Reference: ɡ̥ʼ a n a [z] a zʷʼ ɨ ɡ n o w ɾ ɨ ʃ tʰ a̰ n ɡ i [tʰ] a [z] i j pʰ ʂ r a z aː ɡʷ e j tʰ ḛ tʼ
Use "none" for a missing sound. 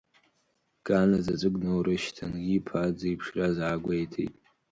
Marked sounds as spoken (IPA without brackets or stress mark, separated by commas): z, pʰ, d͡z